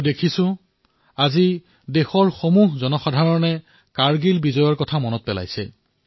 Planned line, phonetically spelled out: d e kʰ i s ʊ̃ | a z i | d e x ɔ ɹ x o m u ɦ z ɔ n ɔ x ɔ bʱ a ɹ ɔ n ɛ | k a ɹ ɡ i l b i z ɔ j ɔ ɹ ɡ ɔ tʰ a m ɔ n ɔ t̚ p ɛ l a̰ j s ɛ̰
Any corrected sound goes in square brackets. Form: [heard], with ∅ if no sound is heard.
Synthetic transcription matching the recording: d e kʰ i s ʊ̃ | a z i | d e x ɔ ɹ x o m u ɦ z ɔ n ɔ x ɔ [dʱ] a ɹ ɔ n ɛ | k a ɹ ɡ i l b i z ɔ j ɔ ɹ [k] ɔ tʰ a m ɔ n ɔ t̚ p ɛ l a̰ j s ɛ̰